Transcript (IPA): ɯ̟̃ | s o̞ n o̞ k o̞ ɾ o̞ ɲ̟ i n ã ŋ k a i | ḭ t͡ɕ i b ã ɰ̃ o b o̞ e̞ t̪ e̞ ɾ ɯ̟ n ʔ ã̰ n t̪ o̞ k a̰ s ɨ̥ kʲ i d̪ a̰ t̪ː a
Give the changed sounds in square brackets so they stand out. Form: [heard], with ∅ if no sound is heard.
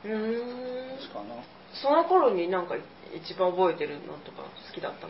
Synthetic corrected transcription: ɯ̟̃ | s o̞ n o̞ k o̞ ɾ o̞ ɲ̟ i n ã ŋ k a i | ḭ t͡ɕ i b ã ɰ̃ o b o̞ e̞ t̪ e̞ ɾ ɯ̟ n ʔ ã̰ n t̪ o̞ k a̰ s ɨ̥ kʲ i d̪ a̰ t̪ː a